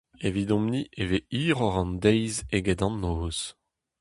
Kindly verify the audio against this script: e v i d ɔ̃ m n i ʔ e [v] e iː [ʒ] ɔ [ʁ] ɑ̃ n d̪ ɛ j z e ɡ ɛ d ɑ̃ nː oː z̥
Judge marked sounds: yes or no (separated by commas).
yes, no, yes